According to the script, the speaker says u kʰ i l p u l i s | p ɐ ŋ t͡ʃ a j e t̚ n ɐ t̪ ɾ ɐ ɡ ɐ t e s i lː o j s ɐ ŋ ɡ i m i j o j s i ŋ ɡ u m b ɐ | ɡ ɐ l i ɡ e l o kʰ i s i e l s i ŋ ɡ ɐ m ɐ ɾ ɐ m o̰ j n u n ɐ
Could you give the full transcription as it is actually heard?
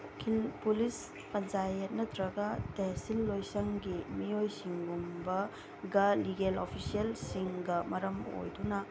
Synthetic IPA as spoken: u kʰ i l p u l i s | p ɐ n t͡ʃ a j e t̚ n ɐ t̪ ɾ ɐ ɡ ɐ t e s i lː o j s ɐ ŋ ɡ i m i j o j s i ŋ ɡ u m b ɐ | ɡ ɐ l i ɡ e l o pʰ i s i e l s i ŋ ɡ ɐ m ɐ ɾ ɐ m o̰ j d u n ɐ